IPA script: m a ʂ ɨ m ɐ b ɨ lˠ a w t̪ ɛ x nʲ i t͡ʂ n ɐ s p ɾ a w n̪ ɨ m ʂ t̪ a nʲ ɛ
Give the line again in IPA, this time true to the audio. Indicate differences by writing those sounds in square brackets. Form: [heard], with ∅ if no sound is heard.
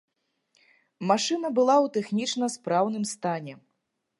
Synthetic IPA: m a ʂ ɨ [n] ɐ b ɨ lˠ a w t̪ ɛ x nʲ i t͡ʂ n ɐ s p ɾ a w n̪ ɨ m [s] t̪ a nʲ ɛ